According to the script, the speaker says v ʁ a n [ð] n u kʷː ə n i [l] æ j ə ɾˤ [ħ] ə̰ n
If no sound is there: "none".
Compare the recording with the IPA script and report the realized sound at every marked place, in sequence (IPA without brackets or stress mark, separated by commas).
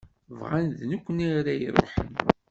ð, ɾ, ħ